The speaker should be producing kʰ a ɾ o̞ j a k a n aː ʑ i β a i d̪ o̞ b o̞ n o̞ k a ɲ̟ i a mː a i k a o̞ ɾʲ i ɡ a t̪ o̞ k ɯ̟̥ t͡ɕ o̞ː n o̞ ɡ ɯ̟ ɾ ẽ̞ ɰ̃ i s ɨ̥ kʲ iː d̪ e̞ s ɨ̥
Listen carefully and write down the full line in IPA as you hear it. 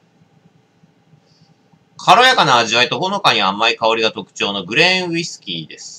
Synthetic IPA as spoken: kʰ a ɾ o̞ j a k a n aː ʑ i β a i t̪ o̞ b o̞ n o̞ k a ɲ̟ i a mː a i k a o̞ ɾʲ i ɡ a t̪ o̞ k ɯ̟̥ t͡ɕ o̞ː n o̞ ɡ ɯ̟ ɾ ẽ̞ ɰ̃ i s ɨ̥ kʲ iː d̪ e̞ s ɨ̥

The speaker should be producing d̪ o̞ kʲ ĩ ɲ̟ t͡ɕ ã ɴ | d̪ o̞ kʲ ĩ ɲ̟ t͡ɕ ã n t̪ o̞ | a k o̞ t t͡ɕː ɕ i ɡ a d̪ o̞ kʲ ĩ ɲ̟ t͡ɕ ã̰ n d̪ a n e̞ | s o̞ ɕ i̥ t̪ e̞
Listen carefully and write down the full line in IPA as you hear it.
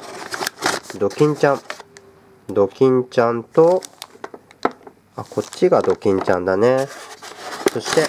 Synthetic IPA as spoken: d̪ o̞ kʲ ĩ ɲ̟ t͡ɕ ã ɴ | d̪ o̞ kʲ ĩ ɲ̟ t͡ɕ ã n t̪ o̞ | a k o̞ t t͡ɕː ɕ i ɡ a d̪ o̞ kʲ ĩ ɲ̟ t͡ɕ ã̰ n d̪ a n e̞ | s o̞ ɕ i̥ t̪ e̞

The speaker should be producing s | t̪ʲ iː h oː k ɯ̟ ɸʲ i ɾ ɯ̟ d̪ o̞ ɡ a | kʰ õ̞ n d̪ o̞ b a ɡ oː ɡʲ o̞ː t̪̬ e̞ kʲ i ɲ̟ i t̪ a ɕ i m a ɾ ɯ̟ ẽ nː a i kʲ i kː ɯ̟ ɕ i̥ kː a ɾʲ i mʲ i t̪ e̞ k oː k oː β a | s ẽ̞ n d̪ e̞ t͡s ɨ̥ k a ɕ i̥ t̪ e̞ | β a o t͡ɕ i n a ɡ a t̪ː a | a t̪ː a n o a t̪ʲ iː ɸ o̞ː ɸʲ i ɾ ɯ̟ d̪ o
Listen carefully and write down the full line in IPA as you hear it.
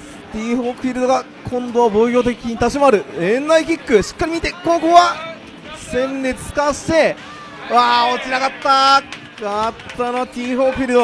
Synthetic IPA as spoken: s | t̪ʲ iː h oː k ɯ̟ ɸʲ i ɾ ɯ̟ d̪ o̞ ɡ a | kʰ õ̞ n d̪ o̞ β a b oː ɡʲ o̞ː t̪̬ e̞ kʲ i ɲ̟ i t̪ a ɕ i m a ɾ ɯ̟ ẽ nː a i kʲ i kː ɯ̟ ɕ i̥ kː a ɾʲ i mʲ i t̪ e̞ k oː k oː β a | s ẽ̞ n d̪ e̞ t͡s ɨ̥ k a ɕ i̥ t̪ e̞ | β a o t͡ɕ i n a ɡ a t̪ː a | a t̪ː a n o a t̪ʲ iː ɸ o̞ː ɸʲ i ɾ ɯ̟ d̪ o

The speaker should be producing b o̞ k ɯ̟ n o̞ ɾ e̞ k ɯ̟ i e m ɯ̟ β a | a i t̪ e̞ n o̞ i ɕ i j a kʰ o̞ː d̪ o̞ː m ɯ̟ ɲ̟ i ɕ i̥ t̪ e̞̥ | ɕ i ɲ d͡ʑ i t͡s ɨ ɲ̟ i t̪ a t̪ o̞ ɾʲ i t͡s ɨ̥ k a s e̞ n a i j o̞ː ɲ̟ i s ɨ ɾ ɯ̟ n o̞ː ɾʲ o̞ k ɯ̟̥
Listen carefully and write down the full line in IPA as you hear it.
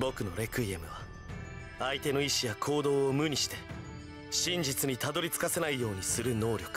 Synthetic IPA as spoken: b o̞ k ɯ̟ n o̞ ɾ e̞ k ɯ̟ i e m ɯ̟ β a | a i t̪ e̞ n o̞ i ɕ i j a kʰ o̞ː d̪ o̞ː m ɯ̟ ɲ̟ i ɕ i̥ t̪ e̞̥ | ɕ ĩ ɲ d͡ʑ i t͡s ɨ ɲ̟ i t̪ a d̪ o̞ ɾʲ i t͡s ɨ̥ k a s e̞ n a i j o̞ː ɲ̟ i s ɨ ɾ ɯ̟ n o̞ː ɾʲ o̞ k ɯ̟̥

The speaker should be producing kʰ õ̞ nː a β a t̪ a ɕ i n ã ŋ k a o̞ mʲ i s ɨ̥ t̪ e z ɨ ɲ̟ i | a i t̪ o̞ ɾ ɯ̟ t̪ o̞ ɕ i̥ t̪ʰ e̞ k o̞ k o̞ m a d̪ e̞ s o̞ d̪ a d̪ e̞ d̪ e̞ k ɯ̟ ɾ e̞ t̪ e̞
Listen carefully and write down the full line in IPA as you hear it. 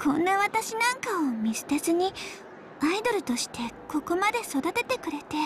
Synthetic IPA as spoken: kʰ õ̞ nː a β a t̪ a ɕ i n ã ŋ k a o̞ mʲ i s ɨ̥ t̪ e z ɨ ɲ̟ i | a i d̪ o̞ ɾ ɯ̟ t̪ o̞ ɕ i̥ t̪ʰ e̞ k o̞ k o̞ m a d̪ e̞ s o̞ d̪ a t̪ e̞ t̪ e̞ k ɯ̟ ɾ e̞ t̪ e̞

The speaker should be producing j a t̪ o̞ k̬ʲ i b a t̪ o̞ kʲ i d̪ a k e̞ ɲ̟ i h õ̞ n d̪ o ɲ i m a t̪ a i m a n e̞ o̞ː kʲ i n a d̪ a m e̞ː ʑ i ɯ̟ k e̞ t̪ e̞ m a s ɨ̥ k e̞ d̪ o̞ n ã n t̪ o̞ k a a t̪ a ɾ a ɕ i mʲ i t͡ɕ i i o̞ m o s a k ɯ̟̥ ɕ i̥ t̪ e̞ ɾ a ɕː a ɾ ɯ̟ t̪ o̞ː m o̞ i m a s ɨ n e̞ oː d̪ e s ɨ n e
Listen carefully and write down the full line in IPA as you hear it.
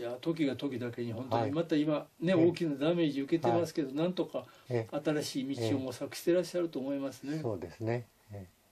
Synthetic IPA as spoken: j a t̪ o̞ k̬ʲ i ɡ a t̪ o̞ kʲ i d̪ a k e̞ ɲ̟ i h õ̞ n t̪ o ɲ i m a t̪ a i m a n e̞ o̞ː kʲ i n a d̪ a m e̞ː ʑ i ɯ̟ k e̞ t̪ e̞ m a s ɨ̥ k e̞ d̪ o̞ n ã n t̪ o̞ k a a t̪ a ɾ a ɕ iː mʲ i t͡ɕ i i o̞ m o s a k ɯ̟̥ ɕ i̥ t̪ e̞ ɾ a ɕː a ɾ ɯ̟ t̪ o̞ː m o̞ i m a s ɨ n e̞ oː d̪ e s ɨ n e

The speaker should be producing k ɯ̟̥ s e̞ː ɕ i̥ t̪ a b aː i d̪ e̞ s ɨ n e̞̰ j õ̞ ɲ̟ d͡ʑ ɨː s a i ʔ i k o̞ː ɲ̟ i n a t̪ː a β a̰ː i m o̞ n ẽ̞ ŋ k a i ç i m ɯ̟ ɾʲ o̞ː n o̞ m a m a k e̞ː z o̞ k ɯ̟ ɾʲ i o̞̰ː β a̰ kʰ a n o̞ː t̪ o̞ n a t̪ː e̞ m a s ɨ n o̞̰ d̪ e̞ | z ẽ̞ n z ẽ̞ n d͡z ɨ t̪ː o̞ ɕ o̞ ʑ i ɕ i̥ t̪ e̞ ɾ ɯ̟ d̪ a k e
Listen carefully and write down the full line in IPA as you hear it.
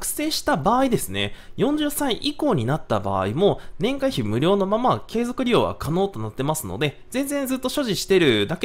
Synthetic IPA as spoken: k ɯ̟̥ s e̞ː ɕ i̥ t̪ a b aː i d̪ e̞ s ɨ n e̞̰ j õ̞ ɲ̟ d͡ʑ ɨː s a i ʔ i k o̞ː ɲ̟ i n a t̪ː a b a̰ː i m o̞ n ẽ̞ ŋ k a i ç i m ɯ̟ ɾʲ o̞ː n o̞ m a m a k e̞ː z o̞ k ɯ̟ ɾʲ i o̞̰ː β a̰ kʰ a n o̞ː t̪ o̞ n a t̪ː e̞ m a s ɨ n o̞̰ d̪ e̞ | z ẽ̞ n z ẽ̞ n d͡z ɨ t̪ː o̞ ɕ o̞ ʑ i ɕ i̥ t̪ e̞ ɾ ɯ̟ d̪ a k e

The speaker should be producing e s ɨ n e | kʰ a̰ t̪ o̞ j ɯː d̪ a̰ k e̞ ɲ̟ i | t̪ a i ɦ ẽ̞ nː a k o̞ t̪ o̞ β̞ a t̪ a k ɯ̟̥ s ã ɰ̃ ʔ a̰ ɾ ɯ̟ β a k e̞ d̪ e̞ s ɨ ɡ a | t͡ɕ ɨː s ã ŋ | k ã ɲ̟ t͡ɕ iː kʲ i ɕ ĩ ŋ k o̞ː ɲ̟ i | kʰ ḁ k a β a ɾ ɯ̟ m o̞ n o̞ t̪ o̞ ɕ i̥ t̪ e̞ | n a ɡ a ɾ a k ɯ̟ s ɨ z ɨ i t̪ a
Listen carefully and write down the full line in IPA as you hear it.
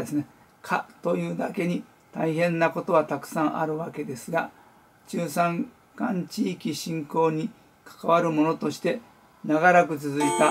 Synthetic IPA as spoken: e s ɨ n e | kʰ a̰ t̪ o̞ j ɯː d̪ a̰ k e̞ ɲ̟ i | t̪ a i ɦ ẽ̞ nː a k o̞ t̪ o̞ β̞ a t̪ a k ɯ̟̥ s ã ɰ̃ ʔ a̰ ɾ ɯ̟ β a k e̞ d̪ e̞ s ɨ ɡ a | t͡ɕ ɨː s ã ŋ | k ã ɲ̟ t͡ɕ iː kʲ i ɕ ĩ ŋ k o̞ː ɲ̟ i | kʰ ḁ k a β a ɾ ɯ̟ m o̞ n o̞ t̪ o̞ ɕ i̥ t̪ e̞ | n a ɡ a ɾ a k ɯ̟ t͡s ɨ z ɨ i t̪ a

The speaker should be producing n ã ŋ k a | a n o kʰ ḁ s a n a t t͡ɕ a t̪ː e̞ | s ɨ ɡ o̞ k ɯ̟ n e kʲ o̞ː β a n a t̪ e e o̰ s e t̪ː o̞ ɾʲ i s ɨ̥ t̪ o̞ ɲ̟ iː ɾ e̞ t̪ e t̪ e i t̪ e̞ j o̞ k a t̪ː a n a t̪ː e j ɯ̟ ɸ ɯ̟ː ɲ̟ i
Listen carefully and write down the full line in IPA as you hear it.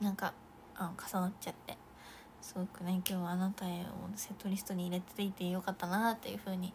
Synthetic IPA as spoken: n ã ŋ k a | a n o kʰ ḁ s a n a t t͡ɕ a t̪ː e̞ | s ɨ ɡ o̞ k ɯ̟ n e kʲ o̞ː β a n a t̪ a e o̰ s e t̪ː o̞ ɾʲ i s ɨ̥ t̪ o̞ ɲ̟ iː ɾ e̞ t̪ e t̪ e i t̪ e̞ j o̞ k a t̪ː a n a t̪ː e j ɯ̟ ɸ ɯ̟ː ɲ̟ i

